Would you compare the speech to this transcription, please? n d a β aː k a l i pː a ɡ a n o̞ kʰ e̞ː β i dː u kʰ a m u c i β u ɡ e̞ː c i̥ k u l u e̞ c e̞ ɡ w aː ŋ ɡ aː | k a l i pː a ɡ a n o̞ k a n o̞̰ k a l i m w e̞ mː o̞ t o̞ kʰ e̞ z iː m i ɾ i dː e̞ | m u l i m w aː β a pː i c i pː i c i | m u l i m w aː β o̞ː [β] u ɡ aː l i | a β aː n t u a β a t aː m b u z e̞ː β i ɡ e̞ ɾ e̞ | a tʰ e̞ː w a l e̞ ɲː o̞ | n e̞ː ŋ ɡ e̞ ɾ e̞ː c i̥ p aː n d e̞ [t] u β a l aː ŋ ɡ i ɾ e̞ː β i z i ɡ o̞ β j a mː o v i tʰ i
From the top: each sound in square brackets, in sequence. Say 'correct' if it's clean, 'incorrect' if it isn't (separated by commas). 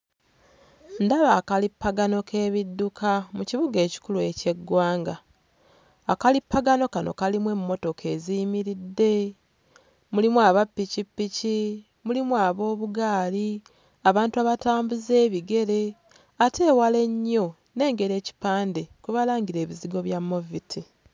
correct, incorrect